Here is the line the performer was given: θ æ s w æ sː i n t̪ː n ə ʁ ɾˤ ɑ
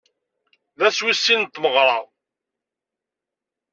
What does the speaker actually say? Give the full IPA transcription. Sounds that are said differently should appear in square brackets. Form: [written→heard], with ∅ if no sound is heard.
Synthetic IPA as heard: [θ→ð] æ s w [æ→i] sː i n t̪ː [n→m] ə ʁ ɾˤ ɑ